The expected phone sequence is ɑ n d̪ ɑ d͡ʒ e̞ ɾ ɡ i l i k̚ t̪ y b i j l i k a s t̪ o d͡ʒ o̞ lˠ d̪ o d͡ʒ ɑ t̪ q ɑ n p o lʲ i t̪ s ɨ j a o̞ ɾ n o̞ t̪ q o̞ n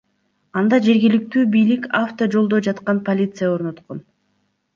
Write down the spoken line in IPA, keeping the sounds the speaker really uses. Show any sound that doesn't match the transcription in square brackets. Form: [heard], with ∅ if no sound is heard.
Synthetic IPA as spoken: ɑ n d̪ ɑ d͡ʒ e̞ ɾ ɡ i l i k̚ t̪ [yː] b i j l i k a [f] t̪ o d͡ʒ o̞ lˠ d̪ o d͡ʒ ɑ t̪ q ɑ n p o lʲ i t̪ s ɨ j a o̞ ɾ n o̞ t̪ q o̞ n